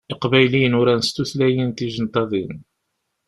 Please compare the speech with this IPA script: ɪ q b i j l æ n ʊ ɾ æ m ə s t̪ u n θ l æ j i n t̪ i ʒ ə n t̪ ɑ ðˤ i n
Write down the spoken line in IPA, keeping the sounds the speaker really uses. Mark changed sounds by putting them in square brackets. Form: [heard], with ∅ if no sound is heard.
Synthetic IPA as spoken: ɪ q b [æ] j l [i] n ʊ ɾ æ [n] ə s t̪ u [∅] θ l æ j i n t̪ i ʒ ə n t̪ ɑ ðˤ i n